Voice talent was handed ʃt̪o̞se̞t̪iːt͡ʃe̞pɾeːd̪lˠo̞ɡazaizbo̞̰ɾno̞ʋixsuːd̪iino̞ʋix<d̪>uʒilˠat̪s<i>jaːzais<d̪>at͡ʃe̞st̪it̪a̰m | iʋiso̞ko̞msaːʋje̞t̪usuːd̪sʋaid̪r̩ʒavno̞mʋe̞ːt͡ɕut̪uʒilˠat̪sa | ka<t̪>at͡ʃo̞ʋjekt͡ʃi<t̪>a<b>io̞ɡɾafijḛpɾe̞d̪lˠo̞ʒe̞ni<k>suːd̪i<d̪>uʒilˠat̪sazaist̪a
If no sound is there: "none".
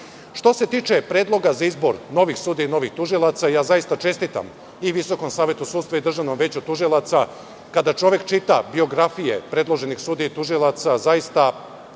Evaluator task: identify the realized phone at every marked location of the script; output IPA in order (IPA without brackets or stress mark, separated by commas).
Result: t̪, a, t̪, d̪, t̪, b, x, t̪